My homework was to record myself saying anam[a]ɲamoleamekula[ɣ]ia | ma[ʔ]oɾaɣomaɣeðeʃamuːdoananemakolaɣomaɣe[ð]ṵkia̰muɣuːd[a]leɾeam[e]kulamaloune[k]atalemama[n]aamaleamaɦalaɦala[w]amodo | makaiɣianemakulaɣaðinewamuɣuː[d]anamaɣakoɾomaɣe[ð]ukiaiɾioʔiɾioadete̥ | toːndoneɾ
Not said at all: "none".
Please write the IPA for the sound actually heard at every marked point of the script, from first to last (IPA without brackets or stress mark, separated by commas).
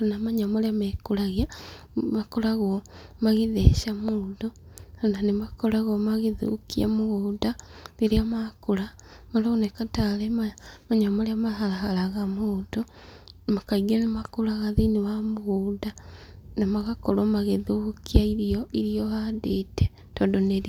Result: a, ɣ, k, ð, a, a, k, ɲ, ɣ, d, ð